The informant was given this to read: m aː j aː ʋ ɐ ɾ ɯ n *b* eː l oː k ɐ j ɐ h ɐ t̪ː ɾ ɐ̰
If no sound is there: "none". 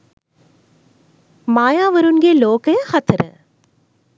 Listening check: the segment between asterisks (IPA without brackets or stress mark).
ɡ